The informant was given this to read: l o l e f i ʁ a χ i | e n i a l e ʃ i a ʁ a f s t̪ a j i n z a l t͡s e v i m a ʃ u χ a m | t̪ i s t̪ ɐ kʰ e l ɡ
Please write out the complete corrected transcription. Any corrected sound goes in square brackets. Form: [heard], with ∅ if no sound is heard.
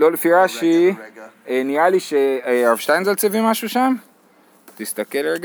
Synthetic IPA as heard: l o l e f i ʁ a [ʃ] i | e n i a l [i] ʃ [e] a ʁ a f [ʃ] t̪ a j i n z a l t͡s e v i m a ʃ u [ʃ] a m | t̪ i s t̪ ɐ [k] e l ɡ